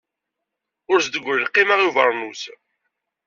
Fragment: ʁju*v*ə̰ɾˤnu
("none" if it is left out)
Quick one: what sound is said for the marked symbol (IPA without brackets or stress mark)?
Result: v